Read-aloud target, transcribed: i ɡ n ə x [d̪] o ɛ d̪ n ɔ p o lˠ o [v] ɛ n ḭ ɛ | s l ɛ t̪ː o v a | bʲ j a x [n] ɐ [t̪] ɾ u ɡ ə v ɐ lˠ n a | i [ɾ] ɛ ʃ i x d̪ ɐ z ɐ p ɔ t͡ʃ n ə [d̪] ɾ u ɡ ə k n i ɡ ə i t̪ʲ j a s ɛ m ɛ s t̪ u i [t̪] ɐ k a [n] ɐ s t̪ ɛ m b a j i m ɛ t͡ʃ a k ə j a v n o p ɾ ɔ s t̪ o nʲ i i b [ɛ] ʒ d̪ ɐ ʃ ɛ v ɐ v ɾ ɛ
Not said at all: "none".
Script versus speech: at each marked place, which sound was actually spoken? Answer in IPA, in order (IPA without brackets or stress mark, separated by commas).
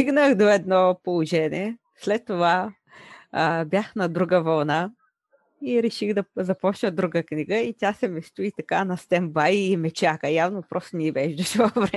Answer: d̪, ʒ, n, d̪, ɾ, d̪, t̪, n, ɛ